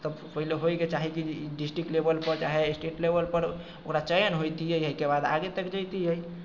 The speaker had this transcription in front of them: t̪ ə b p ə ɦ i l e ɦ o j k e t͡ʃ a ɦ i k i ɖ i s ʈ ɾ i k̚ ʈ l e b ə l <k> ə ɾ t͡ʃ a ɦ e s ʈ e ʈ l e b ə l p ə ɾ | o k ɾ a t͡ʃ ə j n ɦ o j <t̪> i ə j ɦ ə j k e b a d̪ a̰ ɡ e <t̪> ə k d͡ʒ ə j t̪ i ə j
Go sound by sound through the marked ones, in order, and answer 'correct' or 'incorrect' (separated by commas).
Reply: incorrect, correct, correct